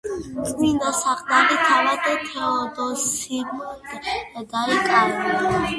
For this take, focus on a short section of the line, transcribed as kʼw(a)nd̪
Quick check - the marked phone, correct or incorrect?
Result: incorrect